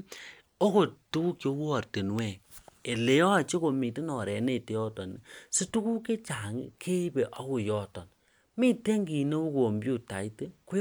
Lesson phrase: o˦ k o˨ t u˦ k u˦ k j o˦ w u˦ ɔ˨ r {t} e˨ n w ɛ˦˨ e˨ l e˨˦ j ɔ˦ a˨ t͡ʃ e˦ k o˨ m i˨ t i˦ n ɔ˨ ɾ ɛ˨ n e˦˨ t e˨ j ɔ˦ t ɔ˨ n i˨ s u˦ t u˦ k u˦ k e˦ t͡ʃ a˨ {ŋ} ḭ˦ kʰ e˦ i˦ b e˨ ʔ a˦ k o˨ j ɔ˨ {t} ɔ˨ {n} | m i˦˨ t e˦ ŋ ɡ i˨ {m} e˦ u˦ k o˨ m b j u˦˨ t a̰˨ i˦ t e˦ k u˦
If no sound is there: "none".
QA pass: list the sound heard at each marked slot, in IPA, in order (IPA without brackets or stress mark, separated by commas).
t, ŋ, t, n, n